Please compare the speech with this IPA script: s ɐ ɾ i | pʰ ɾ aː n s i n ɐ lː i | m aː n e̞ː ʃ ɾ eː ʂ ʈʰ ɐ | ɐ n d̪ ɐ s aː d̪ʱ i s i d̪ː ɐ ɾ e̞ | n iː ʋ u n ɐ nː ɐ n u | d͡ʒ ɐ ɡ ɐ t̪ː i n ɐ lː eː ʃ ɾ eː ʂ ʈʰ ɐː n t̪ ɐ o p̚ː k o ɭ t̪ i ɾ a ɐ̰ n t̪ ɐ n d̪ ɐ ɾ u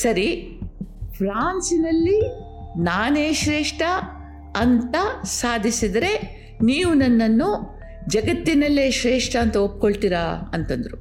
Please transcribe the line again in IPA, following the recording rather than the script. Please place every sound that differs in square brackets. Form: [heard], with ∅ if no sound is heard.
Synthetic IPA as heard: s ɐ ɾ i | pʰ ɾ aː n s i n ɐ lː i | [n] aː n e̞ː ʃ ɾ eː ʂ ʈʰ ɐ | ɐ n [t̪] ɐ s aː d̪ʱ i s i [d̪] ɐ ɾ e̞ | n iː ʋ u n ɐ nː ɐ [nː] u | d͡ʒ ɐ ɡ ɐ t̪ː i n ɐ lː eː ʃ ɾ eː ʂ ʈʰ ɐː n t̪ ɐ o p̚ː k o ɭ t̪ i ɾ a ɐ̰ n t̪ ɐ n d̪ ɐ ɾ u